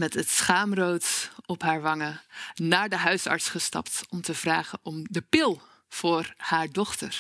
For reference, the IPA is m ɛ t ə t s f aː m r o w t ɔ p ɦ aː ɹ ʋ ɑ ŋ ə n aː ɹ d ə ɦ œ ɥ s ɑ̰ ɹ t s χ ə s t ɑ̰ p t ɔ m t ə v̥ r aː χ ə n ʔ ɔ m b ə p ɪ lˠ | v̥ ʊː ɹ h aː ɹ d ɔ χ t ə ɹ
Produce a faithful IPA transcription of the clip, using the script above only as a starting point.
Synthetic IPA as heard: m ɛ t ə t s χ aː m r o w t ɔ p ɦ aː ɹ ʋ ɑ ŋ ə n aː ɹ d ə ɦ œ ɥ s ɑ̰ ɹ t s χ ə s t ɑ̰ p t ɔ m t ə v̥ r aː χ ə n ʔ ɔ m d ə p ɪ lˠ | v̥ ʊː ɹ h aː ɹ d ɔ χ t ə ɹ